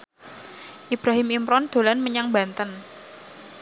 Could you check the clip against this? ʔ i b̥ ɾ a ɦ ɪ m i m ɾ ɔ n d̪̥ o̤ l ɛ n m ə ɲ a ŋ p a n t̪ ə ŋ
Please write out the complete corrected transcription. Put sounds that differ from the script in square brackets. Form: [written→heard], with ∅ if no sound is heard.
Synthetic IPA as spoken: ʔ i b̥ ɾ a ɦ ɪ m i m ɾ ɔ n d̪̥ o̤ l [ɛ→a] n m ə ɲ a ŋ [p→b] a n t̪ ə [ŋ→n]

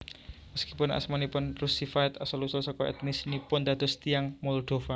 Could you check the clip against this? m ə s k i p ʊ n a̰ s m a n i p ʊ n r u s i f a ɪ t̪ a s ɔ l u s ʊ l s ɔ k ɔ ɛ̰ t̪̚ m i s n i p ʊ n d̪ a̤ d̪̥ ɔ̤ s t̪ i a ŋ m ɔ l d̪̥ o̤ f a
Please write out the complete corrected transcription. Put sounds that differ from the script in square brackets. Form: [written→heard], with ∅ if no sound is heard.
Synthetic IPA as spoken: m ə s k i p ʊ n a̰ s m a n i p ʊ n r u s i f a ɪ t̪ a s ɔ l u s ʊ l s ɔ k ɔ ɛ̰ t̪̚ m i s n i p ʊ n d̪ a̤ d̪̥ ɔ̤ s t̪ i a ŋ m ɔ l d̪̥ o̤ f a

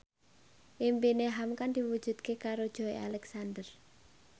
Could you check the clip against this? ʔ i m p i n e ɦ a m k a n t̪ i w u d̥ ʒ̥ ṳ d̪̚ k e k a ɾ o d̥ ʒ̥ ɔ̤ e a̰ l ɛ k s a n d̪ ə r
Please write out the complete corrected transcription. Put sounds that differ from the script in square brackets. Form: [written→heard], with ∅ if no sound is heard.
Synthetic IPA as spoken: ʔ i m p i n e ɦ a m k a n [t̪→d̪] i w u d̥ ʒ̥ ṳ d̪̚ k e k a ɾ o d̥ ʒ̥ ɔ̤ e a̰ l ɛ k s a n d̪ ə r

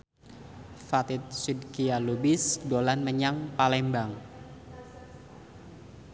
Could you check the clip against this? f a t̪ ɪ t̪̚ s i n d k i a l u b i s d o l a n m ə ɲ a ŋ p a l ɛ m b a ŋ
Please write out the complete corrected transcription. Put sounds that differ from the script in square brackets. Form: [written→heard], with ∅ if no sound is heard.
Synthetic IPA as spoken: f a t̪ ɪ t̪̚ s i [n→∅] d k i a l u b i s d o l a n m ə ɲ a ŋ p a l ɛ m b a ŋ

